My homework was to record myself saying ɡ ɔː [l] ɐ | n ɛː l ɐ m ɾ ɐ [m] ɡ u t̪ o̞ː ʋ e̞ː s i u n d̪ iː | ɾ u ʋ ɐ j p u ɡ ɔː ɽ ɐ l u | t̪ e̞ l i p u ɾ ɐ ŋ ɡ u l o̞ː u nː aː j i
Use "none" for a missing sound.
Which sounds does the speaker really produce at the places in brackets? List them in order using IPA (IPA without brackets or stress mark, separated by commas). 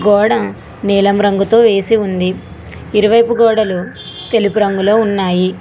ɽ, ŋ